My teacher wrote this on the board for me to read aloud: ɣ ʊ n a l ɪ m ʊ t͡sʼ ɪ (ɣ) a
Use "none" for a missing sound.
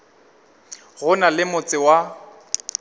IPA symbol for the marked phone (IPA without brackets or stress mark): w